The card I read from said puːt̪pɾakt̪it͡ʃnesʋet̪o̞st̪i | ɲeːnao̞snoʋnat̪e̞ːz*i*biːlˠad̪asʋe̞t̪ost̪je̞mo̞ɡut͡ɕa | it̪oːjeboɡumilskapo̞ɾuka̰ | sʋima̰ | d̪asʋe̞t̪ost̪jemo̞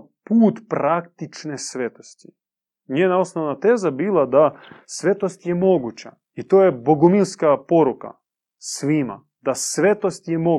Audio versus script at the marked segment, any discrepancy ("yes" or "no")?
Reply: yes